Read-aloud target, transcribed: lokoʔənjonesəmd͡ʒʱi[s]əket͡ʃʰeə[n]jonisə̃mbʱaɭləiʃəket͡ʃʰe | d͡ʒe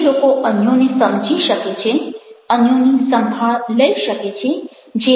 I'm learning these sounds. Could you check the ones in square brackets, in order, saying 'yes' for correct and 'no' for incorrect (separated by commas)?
no, yes